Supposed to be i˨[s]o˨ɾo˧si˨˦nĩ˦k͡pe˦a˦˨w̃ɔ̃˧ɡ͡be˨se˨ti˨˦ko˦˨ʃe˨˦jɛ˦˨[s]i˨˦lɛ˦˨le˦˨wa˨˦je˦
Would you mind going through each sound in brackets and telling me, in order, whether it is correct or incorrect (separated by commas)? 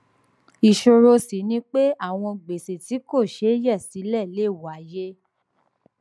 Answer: incorrect, correct